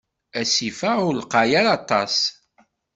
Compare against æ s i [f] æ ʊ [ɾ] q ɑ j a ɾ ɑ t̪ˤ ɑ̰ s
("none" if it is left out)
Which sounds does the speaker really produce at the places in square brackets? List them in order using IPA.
f, l

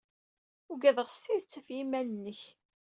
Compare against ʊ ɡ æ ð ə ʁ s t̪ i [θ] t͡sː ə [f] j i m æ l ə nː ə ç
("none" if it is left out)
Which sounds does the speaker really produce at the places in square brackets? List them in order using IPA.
ð, f

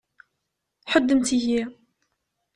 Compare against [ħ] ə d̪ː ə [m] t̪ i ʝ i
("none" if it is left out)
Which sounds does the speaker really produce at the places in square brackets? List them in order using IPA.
ħ, m

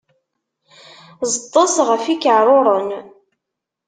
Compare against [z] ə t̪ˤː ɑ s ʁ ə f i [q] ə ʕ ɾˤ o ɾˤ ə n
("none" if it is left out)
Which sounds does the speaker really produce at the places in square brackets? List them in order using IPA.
z, k

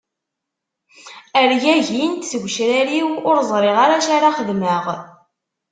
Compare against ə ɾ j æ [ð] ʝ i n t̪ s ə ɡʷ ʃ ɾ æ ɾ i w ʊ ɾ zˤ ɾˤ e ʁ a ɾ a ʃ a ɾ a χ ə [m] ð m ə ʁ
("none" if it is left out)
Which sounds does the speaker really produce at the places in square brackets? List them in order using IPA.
none, none

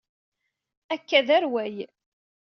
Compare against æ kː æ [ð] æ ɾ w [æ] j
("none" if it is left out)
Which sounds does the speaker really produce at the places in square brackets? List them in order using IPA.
ð, æ

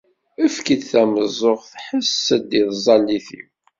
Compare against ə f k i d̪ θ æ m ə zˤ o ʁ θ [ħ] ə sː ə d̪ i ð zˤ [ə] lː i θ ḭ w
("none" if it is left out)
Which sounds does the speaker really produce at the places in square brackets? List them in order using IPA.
ħ, ɑ

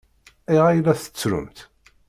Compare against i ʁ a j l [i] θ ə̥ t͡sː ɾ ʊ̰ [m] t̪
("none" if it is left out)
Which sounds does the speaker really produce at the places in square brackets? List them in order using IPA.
æ, m

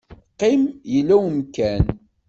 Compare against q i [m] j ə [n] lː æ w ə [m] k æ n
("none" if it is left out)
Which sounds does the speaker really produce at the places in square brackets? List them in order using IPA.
m, none, m

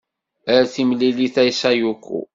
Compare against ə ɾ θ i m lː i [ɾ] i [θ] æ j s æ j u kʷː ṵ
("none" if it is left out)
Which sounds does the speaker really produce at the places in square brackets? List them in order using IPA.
l, θ

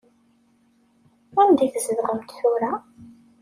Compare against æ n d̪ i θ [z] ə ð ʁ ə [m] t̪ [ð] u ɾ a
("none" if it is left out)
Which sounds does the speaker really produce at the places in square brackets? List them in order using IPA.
z, m, θ

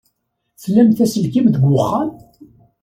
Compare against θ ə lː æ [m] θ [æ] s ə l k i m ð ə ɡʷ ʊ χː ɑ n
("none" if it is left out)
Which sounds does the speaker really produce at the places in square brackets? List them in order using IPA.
m, æ

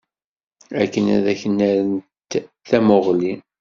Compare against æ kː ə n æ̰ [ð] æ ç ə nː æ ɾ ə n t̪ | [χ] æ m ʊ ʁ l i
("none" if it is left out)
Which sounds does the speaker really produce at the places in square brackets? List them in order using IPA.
ð, θ

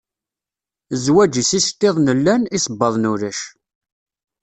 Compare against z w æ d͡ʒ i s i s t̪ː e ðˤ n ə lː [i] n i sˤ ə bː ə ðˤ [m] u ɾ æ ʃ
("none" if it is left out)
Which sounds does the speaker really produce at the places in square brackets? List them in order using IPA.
æ, n

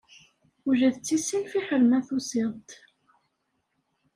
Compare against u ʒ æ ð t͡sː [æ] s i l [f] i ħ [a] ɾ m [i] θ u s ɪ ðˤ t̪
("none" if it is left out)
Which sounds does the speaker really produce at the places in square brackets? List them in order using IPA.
i, f, ə, æ

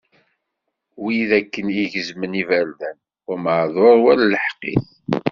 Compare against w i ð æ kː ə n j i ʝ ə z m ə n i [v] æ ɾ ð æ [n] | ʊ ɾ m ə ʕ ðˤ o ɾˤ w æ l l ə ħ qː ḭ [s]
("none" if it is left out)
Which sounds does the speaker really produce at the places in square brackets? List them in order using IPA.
v, n, θ

